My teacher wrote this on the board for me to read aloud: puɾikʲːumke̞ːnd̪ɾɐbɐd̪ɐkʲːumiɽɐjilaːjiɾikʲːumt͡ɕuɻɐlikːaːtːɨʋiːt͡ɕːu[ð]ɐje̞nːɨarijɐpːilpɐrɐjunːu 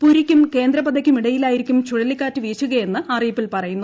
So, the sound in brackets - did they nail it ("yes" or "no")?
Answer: no